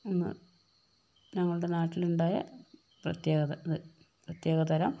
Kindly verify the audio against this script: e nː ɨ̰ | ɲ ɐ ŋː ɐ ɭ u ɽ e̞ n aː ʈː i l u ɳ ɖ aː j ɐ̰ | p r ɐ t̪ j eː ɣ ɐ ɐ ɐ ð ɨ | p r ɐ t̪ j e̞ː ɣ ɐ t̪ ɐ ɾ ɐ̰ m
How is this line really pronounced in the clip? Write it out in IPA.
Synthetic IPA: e nː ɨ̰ | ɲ ɐ ŋː ɐ ɭ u ɽ e̞ n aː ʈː i l u ɳ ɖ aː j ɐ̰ | p r ɐ t̪ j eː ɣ ɐ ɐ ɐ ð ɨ | p r ɐ t̪ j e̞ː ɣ ɐ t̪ ɐ ɾ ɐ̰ m